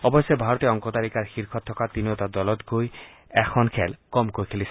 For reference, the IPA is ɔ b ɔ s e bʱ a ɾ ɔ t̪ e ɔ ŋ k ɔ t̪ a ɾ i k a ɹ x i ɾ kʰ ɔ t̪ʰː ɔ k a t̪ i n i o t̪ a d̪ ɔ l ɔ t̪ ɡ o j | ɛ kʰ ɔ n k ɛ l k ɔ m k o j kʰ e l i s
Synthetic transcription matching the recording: ɔ b ɔ s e bʱ a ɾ ɔ t̪ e ɔ ŋ k ɔ t̪ a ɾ i k a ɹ x i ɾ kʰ ɔ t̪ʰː ɔ k a t̪ i n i o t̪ a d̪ ɔ l ɔ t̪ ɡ o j | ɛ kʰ ɔ n kʰ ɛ l k ɔ m k o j kʰ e l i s